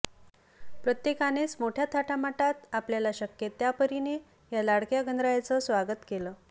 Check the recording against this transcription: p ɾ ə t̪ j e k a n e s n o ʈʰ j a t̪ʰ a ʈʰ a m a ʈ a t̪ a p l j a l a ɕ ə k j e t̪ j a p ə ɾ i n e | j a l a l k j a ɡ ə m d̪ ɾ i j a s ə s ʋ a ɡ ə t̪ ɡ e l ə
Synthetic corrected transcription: p ɾ ə t̪ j e k a n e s m o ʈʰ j a t̪ʰ a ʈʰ a m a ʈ a t̪ a p l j a l a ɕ ə k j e t̪ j a p ə ɾ i n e | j a l a ɽ k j a ɡ ə n d̪ ɾ a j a t͡s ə s ʋ a ɡ ə t̪ k e l ə